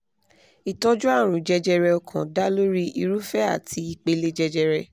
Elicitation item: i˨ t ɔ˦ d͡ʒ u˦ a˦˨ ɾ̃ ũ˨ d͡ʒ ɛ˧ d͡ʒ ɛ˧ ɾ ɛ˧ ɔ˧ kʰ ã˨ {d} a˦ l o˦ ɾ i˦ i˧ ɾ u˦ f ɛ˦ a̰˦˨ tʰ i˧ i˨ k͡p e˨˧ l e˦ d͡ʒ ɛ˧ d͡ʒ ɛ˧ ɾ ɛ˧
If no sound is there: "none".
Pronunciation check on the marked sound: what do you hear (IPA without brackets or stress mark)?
d